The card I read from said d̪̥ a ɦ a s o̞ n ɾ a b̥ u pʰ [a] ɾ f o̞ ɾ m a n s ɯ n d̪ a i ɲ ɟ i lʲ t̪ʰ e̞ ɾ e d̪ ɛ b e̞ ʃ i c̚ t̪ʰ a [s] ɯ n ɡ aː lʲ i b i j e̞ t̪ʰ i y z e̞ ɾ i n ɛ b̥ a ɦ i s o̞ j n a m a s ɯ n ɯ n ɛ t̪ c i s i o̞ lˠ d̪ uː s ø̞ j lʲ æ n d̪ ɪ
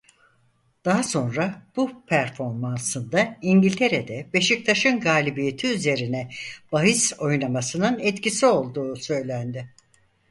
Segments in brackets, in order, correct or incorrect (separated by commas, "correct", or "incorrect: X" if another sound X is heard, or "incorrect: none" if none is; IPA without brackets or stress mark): incorrect: æ, incorrect: ʃ